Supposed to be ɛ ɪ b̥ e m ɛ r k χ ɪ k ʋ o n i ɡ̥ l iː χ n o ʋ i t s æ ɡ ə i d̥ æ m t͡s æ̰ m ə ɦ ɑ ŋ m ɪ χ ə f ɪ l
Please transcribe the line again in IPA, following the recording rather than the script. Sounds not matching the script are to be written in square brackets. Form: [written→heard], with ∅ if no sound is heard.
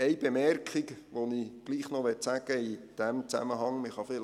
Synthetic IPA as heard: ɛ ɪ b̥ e m ɛ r k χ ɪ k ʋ o n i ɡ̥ l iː χ n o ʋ [i→ɛ] t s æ ɡ ə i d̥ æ m t͡s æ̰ m ə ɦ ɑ ŋ m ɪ χ [ə→ɑ] f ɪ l